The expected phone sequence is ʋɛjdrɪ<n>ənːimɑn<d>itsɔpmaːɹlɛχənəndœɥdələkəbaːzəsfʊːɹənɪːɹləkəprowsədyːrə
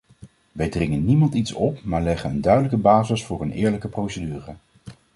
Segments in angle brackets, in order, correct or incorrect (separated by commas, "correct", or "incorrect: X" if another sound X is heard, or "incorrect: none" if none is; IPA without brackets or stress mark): incorrect: ŋ, incorrect: t